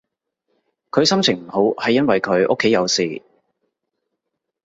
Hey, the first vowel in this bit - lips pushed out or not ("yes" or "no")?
yes